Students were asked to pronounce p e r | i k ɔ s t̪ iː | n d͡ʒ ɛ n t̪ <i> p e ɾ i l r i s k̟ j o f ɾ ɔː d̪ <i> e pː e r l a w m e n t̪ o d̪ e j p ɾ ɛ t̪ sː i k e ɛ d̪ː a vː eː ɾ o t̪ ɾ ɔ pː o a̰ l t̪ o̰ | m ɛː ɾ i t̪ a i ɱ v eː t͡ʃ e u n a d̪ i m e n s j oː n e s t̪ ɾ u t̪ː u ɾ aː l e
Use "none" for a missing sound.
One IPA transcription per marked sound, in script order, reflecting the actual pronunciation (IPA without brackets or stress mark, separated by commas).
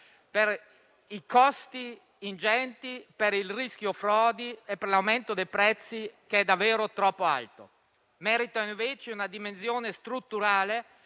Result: i, i